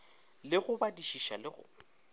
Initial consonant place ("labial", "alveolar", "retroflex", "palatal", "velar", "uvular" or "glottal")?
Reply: alveolar